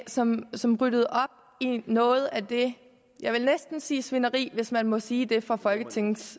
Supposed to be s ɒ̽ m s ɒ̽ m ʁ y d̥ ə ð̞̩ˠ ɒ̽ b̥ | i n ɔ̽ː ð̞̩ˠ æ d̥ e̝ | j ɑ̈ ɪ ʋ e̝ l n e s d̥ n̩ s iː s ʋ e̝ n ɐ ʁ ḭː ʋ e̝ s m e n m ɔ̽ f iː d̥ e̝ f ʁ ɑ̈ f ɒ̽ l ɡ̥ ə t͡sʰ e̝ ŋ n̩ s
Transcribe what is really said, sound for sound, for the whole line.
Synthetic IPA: s ɒ̽ m s ɒ̽ m ʁ y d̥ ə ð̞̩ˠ ɒ̽ b̥ | i n ɔ̽ː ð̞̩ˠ æ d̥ e̝ | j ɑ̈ ɪ ʋ e̝ l n e s d̥ n̩ s iː s ʋ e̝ n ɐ ʁ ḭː ʋ e̝ s m æ n m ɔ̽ s iː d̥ e̝ f ʁ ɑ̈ f ɒ̽ l ɡ̥ ə t͡sʰ e̝ ŋ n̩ s